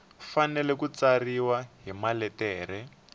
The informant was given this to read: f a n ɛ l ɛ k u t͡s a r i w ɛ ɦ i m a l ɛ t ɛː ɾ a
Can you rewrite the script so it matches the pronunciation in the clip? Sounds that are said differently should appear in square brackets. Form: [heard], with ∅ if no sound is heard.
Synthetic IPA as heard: f a n ɛ l ɛ k u t͡s a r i w [a] ɦ i m a l ɛ t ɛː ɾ [ɛ]